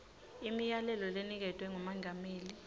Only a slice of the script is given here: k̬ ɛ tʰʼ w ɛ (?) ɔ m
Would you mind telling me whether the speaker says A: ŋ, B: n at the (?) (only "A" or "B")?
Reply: A